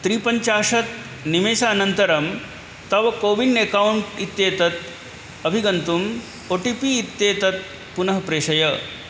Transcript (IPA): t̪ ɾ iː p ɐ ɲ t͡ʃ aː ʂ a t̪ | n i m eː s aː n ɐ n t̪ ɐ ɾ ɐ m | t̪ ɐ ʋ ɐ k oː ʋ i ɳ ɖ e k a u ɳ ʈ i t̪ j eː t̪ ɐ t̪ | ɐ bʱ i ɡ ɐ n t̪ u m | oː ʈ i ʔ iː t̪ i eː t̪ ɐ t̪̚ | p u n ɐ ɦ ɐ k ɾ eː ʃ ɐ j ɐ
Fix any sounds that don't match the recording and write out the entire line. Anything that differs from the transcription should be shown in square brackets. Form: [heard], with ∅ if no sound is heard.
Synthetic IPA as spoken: t̪ ɾ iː p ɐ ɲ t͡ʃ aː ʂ [ɐ] t̪ | n i m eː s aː n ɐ n t̪ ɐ ɾ ɐ m | t̪ ɐ ʋ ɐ k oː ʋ i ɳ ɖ e k a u ɳ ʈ i t̪ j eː t̪ ɐ t̪ | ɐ bʱ i ɡ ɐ n t̪ u m | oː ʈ i [p] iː t̪ [j] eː t̪ ɐ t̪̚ | p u n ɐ ɦ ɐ [p] ɾ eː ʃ ɐ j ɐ